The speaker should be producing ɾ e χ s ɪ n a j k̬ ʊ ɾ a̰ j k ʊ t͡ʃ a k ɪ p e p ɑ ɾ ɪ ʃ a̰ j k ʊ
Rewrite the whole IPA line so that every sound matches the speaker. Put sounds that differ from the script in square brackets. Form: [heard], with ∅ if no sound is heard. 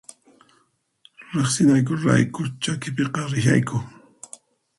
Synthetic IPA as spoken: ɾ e χ s ɪ n a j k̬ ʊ ɾ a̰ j k ʊ t͡ʃ a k ɪ p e [q] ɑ ɾ ɪ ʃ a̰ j k ʊ